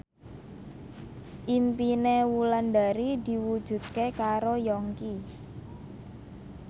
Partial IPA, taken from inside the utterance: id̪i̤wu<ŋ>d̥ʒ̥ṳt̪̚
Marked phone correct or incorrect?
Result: incorrect